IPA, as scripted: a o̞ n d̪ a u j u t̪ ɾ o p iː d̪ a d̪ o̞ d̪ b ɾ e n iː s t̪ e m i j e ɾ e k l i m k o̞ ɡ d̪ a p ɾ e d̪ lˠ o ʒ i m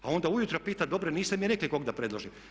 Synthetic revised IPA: a o̞ n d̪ a u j u t̪ ɾ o p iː t̪ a d̪ o̞ b ɾ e n iː s t̪ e m i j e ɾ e k l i k o̞ ɡ d̪ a p ɾ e d̪ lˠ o ʒ i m